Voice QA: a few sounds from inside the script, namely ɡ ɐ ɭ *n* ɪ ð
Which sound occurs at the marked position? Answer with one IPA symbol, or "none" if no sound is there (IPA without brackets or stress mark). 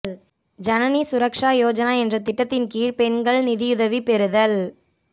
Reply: n